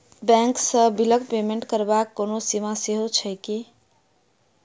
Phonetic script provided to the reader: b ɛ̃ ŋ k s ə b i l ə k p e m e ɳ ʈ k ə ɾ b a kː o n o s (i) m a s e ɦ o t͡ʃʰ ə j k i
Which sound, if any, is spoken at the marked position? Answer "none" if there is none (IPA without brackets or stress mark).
i